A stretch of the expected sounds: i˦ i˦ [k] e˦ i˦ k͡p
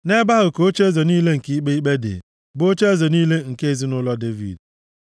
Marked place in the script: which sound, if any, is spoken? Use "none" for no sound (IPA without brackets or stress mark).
k͡p